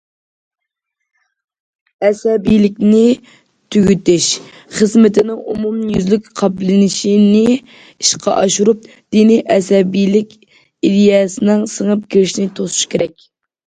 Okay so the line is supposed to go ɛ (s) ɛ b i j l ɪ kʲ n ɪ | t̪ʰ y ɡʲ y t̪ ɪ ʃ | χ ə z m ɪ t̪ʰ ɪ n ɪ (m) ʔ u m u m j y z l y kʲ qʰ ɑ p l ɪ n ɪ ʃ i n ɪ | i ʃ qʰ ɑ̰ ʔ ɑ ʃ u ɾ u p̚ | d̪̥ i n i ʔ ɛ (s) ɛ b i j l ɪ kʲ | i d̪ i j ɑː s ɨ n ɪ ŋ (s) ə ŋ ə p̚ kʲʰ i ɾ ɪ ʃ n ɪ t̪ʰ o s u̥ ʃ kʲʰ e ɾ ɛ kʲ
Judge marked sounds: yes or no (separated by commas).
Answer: yes, no, yes, yes